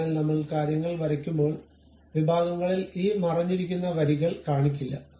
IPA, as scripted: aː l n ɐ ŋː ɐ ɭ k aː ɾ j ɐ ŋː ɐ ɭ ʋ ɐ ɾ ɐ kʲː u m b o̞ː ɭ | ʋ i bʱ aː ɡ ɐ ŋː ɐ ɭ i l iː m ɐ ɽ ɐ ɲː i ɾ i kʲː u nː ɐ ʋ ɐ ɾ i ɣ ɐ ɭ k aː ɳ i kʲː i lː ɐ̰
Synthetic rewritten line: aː l n ɐ mː ɐ ɭ k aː ɾ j ɐ ŋː ɐ ɭ ʋ ɐ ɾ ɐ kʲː u m b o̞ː ɭ | ʋ i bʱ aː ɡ ɐ ŋː ɐ ɭ i l iː m ɐ r ɐ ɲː i ɾ i kʲː u nː ɐ ʋ ɐ ɾ i ɣ ɐ ɭ k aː ɳ i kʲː i lː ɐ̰